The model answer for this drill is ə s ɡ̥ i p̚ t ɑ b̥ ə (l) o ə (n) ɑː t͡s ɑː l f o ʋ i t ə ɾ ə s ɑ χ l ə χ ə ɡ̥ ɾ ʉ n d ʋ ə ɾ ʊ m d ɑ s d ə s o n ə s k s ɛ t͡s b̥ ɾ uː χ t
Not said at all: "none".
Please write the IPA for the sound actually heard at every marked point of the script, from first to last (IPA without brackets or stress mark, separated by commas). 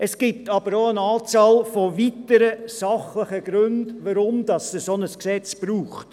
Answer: ɾ, n